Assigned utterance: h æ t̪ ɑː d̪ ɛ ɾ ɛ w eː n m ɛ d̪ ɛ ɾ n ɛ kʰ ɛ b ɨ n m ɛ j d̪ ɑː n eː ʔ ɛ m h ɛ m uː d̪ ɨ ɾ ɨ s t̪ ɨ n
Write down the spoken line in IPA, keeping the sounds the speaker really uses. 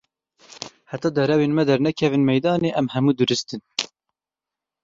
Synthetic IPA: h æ t̪ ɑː d̪ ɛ ɾ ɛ w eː n m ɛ d̪ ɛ ɾ n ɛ kʰ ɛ v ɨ n m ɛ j d̪ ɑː n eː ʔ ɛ m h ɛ m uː d̪ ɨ ɾ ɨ s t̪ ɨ n